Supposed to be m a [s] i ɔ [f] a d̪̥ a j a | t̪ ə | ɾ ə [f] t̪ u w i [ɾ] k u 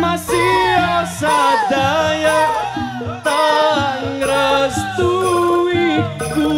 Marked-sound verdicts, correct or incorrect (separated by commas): correct, incorrect, incorrect, incorrect